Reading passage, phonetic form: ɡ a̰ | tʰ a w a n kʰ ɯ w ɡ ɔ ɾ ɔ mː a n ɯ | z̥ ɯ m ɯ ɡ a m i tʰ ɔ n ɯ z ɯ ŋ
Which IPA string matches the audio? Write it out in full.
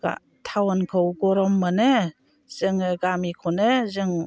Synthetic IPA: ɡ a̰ | tʰ a w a n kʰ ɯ w ɡ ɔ ɾ ɔ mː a n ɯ | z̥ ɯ ŋ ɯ ɡ a m i kʰ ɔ n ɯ z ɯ ŋ